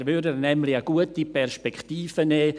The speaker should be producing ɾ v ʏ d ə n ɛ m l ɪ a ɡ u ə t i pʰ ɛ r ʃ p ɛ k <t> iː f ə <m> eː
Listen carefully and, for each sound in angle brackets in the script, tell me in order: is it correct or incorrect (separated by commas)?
correct, incorrect